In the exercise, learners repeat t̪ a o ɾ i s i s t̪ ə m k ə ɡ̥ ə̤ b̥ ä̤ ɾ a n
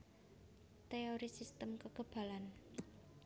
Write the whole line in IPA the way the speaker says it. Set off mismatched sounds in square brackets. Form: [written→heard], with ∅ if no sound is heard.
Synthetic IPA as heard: t̪ [a→e] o ɾ i s i s t̪ ə m k ə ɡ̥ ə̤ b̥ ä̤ [ɾ→l] a n

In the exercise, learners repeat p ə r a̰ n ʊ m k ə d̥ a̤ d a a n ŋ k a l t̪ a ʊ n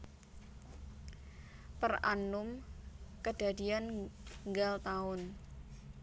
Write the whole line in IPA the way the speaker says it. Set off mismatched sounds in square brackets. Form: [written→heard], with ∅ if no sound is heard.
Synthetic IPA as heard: p ə r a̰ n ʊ m k ə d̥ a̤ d [a→i] a n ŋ [k→ɡ] a l t̪ a ʊ n

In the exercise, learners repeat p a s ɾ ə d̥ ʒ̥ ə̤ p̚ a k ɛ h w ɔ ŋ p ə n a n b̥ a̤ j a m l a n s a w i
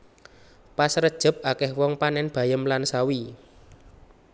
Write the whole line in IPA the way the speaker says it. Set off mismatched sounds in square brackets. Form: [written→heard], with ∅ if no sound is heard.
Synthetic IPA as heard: p a s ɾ ə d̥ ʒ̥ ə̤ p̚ a k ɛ h w ɔ ŋ p [ə→a] n [a→ɛ] n b̥ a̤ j [a→ə] m l a n s a w i

